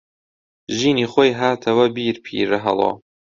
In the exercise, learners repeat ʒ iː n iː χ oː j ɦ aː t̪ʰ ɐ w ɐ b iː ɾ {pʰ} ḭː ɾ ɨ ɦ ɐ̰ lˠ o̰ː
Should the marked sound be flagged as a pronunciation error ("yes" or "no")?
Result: no